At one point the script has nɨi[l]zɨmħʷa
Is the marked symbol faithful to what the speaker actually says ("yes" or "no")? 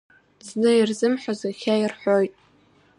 no